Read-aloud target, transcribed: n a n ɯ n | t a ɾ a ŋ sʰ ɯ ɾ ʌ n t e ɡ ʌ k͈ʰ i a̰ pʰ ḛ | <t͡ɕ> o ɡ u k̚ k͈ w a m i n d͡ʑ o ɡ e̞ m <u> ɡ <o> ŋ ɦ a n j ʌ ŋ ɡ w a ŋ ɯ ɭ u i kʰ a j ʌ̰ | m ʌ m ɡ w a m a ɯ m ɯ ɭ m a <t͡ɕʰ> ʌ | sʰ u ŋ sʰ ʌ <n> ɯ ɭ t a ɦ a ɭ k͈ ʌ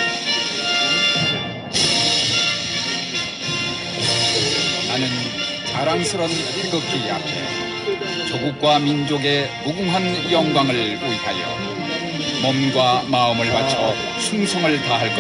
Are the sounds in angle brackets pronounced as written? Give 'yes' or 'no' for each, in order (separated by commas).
yes, yes, no, yes, no